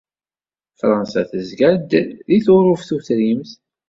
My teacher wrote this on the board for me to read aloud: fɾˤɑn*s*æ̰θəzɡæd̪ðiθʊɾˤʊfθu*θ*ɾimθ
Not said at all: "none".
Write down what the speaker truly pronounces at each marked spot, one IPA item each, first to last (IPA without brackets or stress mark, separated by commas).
s, θ